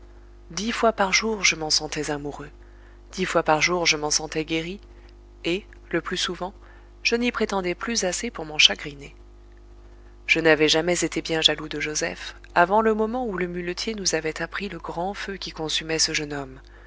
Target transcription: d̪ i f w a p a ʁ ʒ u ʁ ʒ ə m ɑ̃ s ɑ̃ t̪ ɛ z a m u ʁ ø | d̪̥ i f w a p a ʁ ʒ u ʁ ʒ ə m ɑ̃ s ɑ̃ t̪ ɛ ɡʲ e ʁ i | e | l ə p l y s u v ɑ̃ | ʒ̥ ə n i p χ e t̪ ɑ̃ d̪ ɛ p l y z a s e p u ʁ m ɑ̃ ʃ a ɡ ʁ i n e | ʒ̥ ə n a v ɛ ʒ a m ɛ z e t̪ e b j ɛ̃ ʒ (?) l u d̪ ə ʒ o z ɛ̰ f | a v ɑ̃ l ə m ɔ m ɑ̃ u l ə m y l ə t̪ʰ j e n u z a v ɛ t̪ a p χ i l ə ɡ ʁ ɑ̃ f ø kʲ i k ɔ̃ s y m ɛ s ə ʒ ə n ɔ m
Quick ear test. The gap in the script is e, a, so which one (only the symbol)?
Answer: a